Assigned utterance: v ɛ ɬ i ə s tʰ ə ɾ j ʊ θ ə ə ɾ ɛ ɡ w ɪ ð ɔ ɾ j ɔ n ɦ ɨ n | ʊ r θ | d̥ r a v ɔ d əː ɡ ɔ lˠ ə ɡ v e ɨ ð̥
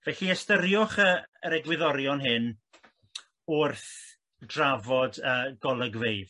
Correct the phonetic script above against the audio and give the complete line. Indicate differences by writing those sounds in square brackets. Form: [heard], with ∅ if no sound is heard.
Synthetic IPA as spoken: v ɛ ɬ i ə s [t] ə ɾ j ʊ [χ] ə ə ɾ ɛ ɡ w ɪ ð ɔ ɾ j ɔ n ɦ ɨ n | ʊ r θ | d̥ r a v ɔ d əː ɡ ɔ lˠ ə ɡ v e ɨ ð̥